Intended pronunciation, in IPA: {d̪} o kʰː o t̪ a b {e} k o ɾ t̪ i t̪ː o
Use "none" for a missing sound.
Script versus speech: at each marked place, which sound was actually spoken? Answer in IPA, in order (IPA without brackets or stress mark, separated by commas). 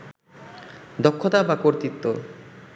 d̪, a